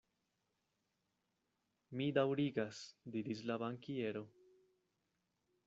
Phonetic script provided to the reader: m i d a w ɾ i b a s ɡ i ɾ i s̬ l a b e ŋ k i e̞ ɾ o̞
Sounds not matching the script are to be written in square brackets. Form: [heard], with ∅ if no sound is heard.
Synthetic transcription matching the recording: m i d a w ɾ i [ɡ] a s [d] i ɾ i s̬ l a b [a] ŋ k i e̞ ɾ o̞